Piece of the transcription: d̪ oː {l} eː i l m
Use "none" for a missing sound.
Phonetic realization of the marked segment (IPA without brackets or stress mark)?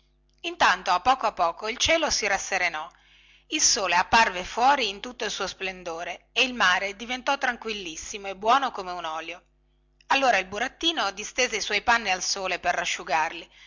ɾ